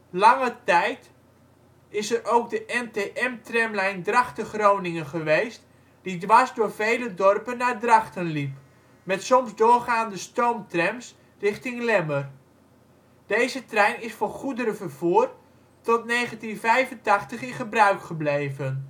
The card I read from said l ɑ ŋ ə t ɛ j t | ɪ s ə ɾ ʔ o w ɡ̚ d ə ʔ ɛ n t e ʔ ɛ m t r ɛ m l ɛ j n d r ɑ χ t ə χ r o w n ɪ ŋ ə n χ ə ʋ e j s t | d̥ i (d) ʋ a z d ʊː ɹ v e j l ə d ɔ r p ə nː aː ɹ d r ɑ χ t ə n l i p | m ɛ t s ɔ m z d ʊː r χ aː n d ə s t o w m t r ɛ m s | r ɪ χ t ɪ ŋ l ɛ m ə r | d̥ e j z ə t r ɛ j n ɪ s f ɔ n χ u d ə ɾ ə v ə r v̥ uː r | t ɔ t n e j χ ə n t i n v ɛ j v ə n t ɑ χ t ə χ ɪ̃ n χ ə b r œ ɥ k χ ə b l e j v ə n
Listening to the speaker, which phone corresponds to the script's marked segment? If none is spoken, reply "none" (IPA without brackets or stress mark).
d